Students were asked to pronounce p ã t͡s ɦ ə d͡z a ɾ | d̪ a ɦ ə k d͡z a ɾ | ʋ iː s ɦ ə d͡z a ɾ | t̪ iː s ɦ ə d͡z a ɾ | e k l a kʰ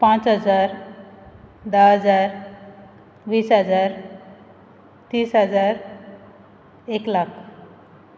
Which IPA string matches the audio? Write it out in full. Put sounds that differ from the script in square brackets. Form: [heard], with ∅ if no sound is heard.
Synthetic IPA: p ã t͡s ɦ ə d͡z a ɾ | d̪ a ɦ ə [∅] d͡z a ɾ | ʋ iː s ɦ ə d͡z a ɾ | t̪ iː s ɦ ə d͡z a ɾ | e k l a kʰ